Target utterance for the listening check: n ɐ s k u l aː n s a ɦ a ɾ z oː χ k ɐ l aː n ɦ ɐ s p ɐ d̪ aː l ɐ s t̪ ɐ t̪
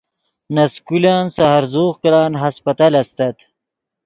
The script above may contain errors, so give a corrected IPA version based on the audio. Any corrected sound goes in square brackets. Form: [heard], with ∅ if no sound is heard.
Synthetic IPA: n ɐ s k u l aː n s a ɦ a ɾ z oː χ k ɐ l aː n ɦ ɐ s p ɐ [t̪] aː l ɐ s t̪ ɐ t̪